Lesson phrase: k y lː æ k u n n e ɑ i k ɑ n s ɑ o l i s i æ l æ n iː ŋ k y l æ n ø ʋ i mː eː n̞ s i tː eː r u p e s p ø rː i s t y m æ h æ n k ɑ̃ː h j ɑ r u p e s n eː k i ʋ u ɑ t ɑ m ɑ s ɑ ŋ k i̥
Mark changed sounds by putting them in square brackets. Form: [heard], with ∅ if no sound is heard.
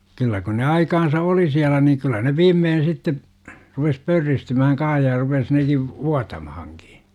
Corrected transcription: k y lː æ k u n n e ɑ i k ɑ n s ɑ o l i s i æ l æ n iː ŋ k y [lː] æ n [e] ʋ [iː] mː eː n̞ s i tː [e] r u p e s p ø rː i s t y m æ h æ [ŋ] k ɑ̃ː h j ɑ r u p e s n [e] k i ʋ u ɑ t ɑ m ɑ [h] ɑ ŋ k i̥